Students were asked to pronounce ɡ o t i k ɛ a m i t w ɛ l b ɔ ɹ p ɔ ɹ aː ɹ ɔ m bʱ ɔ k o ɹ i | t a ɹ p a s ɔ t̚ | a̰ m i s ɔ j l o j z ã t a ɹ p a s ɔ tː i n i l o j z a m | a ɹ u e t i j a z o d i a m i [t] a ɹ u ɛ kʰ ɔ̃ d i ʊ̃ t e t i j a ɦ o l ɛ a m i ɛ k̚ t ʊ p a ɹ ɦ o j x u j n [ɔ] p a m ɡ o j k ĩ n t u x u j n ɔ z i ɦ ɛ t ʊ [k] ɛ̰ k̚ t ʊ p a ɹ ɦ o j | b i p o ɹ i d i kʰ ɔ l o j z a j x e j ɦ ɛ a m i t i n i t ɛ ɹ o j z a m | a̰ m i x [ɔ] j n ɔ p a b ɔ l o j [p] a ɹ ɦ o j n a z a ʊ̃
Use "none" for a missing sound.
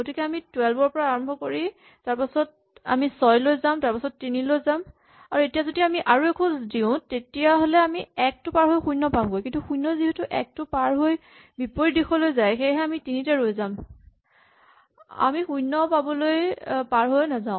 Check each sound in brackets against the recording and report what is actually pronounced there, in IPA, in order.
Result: ʔ, ɔ, ʔ, u, p

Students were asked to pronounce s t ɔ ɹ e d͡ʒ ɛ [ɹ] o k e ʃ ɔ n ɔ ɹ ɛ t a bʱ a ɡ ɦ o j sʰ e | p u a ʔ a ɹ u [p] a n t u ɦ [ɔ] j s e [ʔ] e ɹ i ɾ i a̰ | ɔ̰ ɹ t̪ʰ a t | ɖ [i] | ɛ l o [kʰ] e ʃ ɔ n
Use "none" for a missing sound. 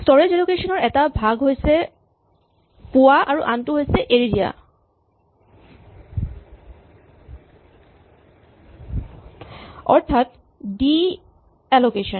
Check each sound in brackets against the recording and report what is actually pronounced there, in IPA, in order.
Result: l, ʔ, o, ʔ, i, k

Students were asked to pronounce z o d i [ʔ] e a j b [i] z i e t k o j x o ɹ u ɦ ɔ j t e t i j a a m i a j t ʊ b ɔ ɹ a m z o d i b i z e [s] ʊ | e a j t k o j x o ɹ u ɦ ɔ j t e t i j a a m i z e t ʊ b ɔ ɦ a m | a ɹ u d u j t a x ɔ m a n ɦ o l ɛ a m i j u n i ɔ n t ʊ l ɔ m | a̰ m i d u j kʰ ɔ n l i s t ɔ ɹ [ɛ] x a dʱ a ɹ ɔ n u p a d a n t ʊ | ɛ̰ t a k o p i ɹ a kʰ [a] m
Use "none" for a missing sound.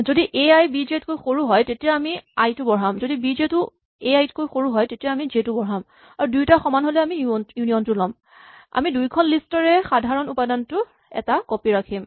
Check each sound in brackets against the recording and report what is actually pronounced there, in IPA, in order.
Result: ʔ, i, t, ɛ, i

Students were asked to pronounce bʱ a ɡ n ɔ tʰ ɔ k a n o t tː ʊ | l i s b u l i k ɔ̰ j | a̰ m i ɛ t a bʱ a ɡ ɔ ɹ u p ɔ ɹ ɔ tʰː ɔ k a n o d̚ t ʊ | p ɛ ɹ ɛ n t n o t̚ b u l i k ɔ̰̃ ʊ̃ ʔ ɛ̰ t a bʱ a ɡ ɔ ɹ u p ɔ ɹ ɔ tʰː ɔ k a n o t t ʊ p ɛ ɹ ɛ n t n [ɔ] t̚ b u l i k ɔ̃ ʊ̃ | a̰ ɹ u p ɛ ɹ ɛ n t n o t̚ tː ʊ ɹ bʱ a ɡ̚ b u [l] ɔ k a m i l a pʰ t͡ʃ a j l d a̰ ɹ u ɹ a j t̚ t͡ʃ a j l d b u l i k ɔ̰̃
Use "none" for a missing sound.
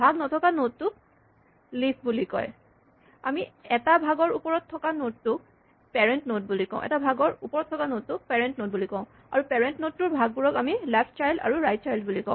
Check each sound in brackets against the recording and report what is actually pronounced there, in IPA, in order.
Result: o, ɹ

